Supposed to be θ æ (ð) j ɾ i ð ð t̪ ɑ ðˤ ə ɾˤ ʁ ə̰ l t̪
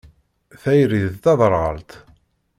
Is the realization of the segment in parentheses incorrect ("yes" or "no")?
yes